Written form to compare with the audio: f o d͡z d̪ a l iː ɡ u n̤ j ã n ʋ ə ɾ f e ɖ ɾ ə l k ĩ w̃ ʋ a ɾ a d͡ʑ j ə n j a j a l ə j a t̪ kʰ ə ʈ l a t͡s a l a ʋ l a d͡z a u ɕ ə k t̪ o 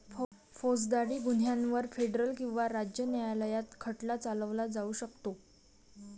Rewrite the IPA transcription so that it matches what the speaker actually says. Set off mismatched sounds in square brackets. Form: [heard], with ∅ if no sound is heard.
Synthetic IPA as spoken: f o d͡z d̪ a [ɽ] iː ɡ u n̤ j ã n ʋ ə ɾ f e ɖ ɾ ə l k ĩ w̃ ʋ a ɾ a d͡ʑ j ə n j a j a l ə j a t̪ kʰ ə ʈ l a t͡s a l [ə] ʋ l a d͡z a u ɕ ə k t̪ o